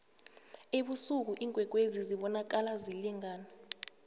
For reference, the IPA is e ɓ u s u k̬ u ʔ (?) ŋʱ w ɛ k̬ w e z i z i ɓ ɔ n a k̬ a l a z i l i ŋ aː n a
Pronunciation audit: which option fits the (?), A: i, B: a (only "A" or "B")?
A